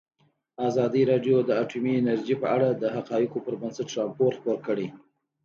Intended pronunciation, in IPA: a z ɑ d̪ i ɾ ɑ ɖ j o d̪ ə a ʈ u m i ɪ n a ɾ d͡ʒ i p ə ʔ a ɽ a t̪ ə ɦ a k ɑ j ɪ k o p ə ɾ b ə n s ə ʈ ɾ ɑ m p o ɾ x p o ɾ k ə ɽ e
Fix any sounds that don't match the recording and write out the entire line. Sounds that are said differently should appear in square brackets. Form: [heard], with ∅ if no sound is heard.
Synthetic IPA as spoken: a z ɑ d̪ i ɾ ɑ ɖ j o d̪ ə a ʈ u m i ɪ n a ɾ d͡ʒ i p ə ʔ a ɽ a [d̪] ə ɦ a [q] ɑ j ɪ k o p ə ɾ b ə n s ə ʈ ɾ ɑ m p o ɾ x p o ɾ k ə ɽ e